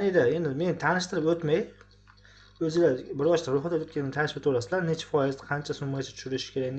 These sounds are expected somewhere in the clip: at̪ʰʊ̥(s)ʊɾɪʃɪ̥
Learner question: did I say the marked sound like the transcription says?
no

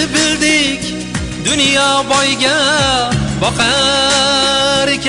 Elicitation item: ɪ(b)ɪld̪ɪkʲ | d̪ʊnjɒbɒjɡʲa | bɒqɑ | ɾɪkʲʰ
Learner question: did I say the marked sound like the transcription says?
yes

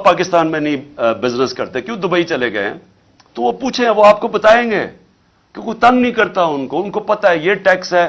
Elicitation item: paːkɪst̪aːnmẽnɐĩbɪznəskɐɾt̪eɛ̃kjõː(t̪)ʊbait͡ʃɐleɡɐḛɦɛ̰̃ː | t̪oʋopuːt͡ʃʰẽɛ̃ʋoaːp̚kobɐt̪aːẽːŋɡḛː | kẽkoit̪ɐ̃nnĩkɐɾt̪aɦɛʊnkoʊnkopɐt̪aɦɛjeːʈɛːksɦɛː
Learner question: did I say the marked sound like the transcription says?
no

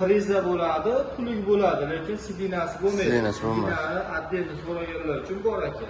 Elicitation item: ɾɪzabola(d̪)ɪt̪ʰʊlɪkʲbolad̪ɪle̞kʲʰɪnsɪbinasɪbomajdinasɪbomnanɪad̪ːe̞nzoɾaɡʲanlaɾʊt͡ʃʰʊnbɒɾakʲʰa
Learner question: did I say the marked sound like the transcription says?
yes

